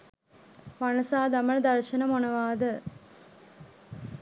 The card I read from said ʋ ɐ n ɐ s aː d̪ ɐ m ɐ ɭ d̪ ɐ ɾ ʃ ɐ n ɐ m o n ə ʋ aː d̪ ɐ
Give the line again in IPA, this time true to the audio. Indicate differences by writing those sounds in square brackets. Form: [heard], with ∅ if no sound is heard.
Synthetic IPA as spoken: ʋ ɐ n ɐ s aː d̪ ɐ m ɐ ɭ d̪ ɐ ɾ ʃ ɐ n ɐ m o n [ɐ] ʋ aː d̪ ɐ